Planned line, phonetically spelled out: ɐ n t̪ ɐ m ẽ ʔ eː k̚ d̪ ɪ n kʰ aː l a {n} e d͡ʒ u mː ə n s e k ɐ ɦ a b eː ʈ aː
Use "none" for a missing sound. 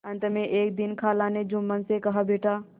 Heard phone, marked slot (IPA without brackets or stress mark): n